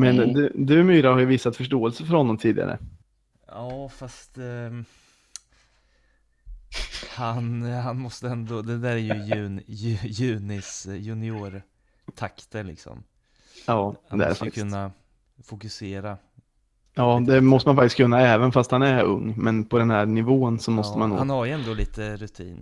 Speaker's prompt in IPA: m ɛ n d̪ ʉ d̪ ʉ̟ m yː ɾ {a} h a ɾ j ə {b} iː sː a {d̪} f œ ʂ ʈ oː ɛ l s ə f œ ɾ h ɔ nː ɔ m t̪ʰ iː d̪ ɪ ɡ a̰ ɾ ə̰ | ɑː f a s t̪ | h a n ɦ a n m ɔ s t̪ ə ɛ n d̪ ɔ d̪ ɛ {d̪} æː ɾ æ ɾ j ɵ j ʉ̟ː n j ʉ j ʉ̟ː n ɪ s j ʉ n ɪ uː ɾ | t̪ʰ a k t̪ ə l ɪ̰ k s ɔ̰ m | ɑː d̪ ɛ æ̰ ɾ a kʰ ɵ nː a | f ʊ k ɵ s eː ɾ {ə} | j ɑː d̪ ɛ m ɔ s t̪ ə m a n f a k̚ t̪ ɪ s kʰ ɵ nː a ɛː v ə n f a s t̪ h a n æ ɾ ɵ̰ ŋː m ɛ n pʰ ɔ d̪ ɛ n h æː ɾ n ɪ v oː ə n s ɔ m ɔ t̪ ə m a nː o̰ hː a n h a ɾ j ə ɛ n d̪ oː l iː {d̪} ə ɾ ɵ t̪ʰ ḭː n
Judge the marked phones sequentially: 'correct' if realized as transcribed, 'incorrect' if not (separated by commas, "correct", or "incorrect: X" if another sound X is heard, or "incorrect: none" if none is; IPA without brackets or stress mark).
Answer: correct, incorrect: v, incorrect: t̪, correct, incorrect: a, incorrect: t̪